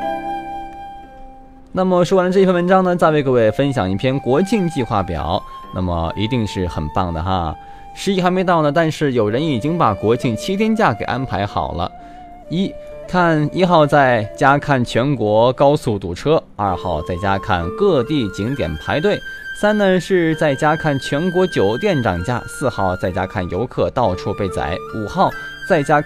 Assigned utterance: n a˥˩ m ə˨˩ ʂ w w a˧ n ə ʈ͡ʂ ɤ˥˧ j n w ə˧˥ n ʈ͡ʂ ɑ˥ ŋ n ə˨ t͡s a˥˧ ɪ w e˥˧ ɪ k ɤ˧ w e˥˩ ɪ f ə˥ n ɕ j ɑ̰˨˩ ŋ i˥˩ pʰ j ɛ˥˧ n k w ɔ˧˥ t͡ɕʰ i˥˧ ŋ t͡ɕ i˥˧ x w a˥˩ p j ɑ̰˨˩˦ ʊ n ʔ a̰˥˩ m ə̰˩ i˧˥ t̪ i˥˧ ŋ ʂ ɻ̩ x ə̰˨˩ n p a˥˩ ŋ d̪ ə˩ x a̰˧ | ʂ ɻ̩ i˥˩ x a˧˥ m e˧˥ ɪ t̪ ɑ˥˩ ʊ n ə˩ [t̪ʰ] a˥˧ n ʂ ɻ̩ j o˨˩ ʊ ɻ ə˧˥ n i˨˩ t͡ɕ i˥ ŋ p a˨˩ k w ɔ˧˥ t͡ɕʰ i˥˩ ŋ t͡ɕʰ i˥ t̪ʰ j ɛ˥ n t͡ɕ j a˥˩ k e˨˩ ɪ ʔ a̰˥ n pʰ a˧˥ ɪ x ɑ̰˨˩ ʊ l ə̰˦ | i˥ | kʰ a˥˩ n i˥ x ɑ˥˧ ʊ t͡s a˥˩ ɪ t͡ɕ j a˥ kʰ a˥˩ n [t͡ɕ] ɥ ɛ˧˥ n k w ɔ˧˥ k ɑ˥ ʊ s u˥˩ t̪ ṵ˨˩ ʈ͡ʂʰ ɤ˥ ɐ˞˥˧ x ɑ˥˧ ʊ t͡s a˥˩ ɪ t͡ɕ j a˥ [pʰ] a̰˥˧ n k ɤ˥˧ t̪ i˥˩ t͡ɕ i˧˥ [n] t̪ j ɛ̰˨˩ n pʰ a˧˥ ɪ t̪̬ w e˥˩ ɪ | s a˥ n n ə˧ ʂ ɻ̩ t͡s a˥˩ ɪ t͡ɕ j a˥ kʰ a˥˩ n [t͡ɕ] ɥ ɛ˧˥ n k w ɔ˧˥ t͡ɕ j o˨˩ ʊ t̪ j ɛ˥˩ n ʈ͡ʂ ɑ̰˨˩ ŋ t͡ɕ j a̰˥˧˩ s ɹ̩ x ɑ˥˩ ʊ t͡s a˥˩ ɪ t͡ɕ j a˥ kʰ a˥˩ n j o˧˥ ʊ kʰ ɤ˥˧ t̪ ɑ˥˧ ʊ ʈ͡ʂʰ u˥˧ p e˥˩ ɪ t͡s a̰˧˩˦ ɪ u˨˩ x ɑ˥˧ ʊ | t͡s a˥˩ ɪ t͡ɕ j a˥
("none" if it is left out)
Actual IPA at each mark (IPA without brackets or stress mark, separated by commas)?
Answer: t̪, t͡ɕʰ, kʰ, ŋ, t͡ɕʰ